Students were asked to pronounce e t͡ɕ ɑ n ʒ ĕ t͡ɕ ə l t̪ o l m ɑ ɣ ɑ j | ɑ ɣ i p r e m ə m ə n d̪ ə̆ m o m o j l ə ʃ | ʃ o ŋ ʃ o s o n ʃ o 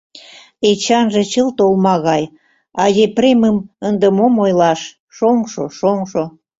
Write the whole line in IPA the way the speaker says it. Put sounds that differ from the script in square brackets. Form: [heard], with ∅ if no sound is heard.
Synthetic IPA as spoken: e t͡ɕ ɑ n ʒ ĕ t͡ɕ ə l t̪ o l m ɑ ɣ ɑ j | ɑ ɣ [e] p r e m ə m ə n d̪ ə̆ m o m o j l [ɑ] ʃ | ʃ o ŋ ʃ o [ʃ] o [ŋ] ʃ o

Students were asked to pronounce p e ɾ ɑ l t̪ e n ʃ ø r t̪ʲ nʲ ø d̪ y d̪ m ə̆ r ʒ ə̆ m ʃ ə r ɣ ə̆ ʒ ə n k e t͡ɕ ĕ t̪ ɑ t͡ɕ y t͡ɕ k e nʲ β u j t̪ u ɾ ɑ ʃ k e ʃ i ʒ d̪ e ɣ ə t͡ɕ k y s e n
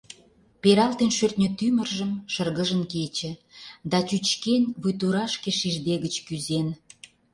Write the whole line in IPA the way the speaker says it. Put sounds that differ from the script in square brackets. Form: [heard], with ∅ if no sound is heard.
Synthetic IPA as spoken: p e ɾ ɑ l t̪ e n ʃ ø r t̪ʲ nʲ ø [t̪] y [∅] m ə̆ r ʒ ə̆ m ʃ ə r ɣ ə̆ ʒ ə n k e t͡ɕ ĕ [d̪] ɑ t͡ɕ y t͡ɕ k e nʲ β u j t̪ u ɾ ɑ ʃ k e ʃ i ʒ d̪ e ɣ ə t͡ɕ k y [z] e n

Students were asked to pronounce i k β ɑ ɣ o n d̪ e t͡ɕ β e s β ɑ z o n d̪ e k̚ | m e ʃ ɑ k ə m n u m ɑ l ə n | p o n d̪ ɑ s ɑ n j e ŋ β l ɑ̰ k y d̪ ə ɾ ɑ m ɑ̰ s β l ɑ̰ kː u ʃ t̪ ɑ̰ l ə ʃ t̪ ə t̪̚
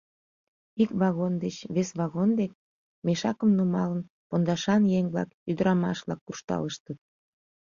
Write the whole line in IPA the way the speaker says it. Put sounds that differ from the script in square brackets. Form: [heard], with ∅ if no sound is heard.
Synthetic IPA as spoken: i k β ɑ ɣ o n d̪ e t͡ɕ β e s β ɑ [ɣ] o n d̪ e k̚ | m e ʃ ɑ k ə m n u m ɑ l ə n | p o n d̪ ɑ [ʃ] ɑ n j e ŋ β l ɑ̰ k y d̪ ə ɾ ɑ m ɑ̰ [ʃ] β l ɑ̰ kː u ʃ t̪ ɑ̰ l ə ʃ t̪ ə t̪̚

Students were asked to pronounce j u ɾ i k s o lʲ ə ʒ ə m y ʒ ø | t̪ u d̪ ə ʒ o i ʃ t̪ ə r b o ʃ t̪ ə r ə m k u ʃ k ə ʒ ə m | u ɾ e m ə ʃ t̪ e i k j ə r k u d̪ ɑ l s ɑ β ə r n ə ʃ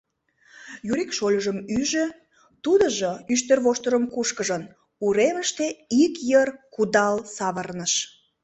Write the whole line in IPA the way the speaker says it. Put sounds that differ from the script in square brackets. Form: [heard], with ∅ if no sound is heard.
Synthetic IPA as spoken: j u ɾ i k [ʃ] o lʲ ə ʒ ə m y ʒ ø | t̪ u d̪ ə ʒ o [y] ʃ t̪ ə r [β] o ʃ t̪ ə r ə m k u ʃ k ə ʒ ə [n] | u ɾ e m ə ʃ t̪ e i k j ə r k u d̪ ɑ l s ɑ β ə r n ə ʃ

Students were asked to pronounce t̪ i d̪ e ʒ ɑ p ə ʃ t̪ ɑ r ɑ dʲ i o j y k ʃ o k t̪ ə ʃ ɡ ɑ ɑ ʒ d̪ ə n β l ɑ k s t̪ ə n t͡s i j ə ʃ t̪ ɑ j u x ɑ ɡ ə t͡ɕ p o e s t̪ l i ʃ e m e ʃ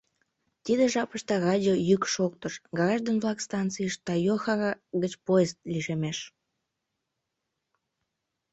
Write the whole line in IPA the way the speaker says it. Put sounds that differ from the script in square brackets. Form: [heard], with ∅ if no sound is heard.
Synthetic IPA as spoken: t̪ i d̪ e ʒ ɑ p ə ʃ t̪ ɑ r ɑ dʲ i o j y k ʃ o k t̪ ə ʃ ɡ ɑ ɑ ʒ d̪ ə n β l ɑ k s t̪ [ɑ] n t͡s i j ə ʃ t̪ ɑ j [o] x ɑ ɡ ə t͡ɕ p o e s t̪ l i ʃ e m e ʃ

